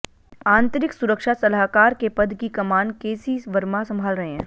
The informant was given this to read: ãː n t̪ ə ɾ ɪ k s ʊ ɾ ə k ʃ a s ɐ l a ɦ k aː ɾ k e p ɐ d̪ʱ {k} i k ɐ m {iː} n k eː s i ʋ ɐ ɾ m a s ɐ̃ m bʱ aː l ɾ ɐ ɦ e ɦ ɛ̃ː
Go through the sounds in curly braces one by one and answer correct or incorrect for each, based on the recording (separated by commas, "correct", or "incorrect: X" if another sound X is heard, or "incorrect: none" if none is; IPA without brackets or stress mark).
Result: correct, incorrect: aː